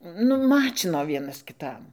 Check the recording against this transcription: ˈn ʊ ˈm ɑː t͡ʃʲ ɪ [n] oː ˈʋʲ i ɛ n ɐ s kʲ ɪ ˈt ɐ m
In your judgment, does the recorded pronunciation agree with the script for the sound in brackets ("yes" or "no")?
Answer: yes